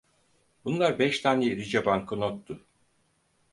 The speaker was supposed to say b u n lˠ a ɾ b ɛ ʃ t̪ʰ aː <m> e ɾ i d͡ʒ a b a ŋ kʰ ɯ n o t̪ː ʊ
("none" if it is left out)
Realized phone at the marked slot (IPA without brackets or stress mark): n